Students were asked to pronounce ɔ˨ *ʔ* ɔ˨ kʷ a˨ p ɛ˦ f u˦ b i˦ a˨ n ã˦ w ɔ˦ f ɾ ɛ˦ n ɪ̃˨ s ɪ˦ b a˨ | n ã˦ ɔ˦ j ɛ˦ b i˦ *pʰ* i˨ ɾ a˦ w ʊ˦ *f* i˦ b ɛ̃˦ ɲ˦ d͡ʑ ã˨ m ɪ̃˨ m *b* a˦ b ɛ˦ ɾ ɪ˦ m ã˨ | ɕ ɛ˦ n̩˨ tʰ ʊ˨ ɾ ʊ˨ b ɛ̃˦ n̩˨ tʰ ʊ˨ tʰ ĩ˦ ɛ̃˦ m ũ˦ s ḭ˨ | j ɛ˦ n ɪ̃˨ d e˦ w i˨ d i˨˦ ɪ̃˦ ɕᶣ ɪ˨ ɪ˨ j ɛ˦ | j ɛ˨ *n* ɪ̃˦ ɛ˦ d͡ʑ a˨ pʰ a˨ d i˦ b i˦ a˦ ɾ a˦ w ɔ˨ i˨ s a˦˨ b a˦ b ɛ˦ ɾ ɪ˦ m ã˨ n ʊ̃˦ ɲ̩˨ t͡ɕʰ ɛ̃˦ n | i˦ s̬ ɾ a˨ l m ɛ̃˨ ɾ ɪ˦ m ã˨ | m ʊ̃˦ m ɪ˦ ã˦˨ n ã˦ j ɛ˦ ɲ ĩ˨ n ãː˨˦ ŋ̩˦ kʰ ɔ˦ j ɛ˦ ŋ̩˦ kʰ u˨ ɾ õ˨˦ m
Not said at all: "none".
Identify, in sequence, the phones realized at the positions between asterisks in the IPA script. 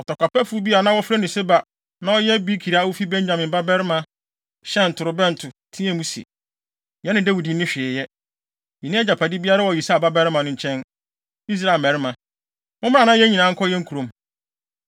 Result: t, kʰ, f, b, n

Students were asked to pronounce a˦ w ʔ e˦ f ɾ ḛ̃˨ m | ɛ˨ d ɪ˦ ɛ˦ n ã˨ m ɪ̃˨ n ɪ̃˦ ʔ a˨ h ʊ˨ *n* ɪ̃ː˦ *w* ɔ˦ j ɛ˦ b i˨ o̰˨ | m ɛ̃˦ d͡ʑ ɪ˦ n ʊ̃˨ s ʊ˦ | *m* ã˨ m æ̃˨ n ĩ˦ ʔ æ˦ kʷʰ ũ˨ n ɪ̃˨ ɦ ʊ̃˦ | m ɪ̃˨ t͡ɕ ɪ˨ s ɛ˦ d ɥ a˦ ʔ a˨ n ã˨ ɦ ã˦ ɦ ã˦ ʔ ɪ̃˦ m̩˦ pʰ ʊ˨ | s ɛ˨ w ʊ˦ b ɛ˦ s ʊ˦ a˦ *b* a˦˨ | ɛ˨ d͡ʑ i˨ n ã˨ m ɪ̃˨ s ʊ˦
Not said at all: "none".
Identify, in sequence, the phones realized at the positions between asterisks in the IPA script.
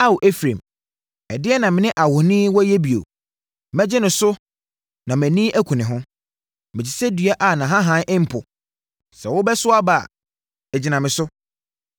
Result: n, w, n, b

